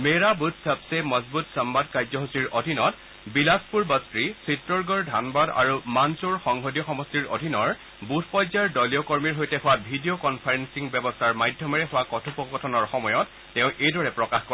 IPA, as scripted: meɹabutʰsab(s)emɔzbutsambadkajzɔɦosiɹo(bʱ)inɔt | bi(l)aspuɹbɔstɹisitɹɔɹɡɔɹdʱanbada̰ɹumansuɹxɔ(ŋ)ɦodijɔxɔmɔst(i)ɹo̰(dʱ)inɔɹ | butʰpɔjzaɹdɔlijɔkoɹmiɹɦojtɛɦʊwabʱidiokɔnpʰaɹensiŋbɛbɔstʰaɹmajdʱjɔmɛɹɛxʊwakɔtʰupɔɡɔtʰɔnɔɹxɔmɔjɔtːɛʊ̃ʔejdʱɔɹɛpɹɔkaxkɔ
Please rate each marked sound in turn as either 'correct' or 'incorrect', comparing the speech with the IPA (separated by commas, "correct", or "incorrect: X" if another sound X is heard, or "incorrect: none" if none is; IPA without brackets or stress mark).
correct, incorrect: dʱ, correct, correct, correct, correct